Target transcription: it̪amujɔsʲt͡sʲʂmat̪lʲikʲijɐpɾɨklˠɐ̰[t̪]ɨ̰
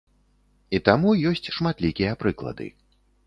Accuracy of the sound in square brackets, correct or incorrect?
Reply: incorrect